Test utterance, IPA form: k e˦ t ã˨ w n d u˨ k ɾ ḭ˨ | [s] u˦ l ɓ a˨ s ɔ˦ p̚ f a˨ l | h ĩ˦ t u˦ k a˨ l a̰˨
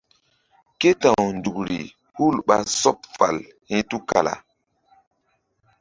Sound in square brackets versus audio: incorrect: h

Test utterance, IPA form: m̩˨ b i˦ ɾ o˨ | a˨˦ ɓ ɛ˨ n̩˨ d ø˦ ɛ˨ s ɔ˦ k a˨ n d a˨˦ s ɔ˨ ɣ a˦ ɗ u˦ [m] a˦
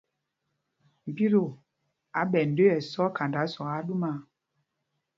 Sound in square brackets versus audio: correct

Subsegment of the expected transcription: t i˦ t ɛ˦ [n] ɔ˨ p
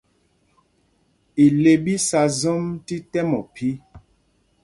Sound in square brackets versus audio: incorrect: m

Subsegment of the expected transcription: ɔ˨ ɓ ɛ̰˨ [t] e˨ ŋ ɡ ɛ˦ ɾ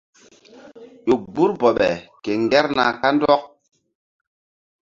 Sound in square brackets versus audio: incorrect: k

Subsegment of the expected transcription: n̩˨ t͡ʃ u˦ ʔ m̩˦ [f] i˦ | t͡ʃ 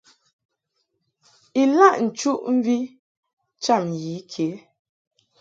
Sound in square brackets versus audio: incorrect: v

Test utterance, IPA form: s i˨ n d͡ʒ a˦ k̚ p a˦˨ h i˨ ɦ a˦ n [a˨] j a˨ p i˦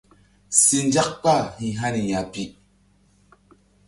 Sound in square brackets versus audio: incorrect: i˨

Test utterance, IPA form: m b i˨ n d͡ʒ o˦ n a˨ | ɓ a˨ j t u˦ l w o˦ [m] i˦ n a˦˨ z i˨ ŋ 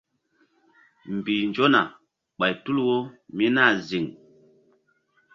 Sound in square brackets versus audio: correct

